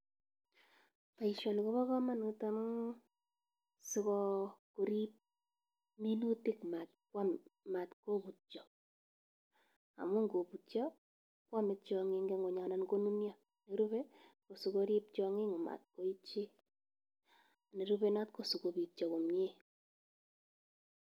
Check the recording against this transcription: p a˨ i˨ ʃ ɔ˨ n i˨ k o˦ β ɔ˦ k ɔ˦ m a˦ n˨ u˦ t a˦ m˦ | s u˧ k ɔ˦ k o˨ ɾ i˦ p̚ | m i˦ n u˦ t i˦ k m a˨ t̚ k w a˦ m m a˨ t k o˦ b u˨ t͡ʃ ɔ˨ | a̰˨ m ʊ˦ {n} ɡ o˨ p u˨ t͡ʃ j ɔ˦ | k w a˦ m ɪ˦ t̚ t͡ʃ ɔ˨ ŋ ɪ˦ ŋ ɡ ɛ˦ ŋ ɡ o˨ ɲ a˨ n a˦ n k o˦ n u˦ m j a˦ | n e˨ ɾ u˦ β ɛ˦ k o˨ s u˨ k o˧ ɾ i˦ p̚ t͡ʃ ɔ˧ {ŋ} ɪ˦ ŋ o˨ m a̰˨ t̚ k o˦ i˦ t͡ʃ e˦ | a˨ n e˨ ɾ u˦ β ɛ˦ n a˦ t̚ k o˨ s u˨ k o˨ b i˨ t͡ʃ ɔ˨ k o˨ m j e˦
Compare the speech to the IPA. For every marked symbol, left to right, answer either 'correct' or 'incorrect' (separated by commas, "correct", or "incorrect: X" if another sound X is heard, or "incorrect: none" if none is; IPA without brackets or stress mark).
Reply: incorrect: ŋ, correct